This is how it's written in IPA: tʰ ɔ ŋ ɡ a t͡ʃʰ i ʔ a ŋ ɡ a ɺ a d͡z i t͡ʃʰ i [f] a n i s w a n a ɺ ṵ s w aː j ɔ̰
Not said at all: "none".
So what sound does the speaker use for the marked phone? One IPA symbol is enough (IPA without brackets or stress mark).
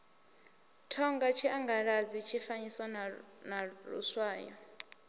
f